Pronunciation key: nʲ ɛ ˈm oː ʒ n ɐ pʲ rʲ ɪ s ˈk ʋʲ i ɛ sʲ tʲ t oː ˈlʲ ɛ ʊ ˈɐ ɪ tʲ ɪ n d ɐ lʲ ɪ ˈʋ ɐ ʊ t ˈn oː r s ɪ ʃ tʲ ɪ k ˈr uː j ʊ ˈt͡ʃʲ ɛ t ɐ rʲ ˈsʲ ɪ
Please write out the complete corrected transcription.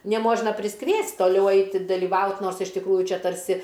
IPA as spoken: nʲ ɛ ˈm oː ʒ n ɐ pʲ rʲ ɪ s ˈk ʋʲ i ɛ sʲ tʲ t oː ˈlʲ ɛ ʊ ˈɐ ɪ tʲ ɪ d ɐ lʲ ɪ ˈʋ ɐ ʊ t ˈn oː r s ɪ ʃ tʲ ɪ k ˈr uː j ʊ ˈt͡ʃʲ ɛ t ɐ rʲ ˈsʲ ɪ